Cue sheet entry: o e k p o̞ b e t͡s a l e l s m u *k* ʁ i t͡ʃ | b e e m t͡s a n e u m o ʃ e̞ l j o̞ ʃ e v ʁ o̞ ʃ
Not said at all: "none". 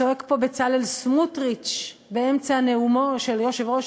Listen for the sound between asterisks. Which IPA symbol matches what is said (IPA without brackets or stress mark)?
t